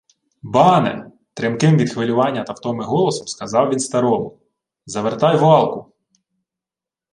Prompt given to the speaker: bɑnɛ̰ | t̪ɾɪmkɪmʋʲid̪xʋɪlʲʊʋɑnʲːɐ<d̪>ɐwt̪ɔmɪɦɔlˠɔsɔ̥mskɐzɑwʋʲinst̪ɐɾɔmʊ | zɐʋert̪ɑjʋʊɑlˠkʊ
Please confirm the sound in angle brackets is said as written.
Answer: no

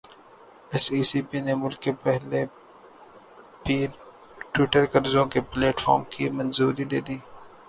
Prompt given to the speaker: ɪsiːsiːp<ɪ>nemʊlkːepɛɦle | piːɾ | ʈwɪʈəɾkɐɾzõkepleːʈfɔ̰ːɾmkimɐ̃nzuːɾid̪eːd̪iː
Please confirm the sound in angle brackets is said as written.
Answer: no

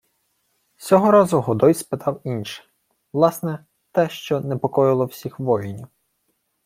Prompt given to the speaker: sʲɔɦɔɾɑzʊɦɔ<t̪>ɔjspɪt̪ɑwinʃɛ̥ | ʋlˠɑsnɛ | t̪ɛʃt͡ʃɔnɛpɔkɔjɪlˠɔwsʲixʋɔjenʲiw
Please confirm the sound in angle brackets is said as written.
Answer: no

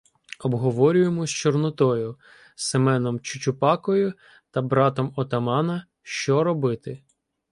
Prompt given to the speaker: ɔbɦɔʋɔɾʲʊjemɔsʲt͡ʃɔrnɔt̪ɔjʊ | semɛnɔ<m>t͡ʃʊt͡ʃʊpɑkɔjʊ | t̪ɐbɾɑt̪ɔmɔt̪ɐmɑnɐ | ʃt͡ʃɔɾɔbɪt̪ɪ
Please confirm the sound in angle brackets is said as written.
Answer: yes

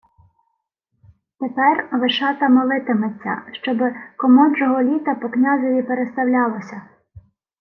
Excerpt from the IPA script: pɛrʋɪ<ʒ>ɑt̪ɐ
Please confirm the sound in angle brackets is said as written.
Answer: no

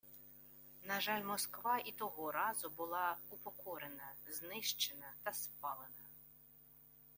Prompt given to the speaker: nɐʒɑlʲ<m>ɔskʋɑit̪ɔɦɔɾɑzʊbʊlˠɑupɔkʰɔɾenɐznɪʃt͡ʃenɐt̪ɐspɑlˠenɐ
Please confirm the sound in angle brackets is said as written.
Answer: yes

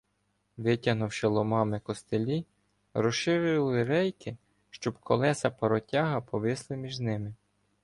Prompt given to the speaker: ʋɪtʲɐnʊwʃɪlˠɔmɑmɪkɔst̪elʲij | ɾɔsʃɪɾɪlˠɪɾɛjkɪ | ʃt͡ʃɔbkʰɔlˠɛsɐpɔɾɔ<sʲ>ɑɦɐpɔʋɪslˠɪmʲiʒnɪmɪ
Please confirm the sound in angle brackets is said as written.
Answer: no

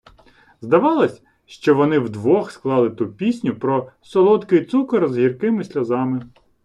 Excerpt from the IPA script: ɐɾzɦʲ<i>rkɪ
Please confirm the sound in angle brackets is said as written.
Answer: yes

